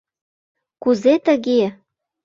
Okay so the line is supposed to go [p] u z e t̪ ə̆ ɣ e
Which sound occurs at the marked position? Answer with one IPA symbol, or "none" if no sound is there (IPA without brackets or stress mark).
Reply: k